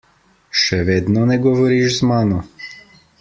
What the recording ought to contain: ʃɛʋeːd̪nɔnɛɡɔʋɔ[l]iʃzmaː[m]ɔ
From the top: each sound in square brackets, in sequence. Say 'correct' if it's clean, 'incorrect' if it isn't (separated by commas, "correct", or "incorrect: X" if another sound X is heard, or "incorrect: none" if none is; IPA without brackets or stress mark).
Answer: incorrect: ɾ, incorrect: n